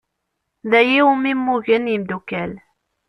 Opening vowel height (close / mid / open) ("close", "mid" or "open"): open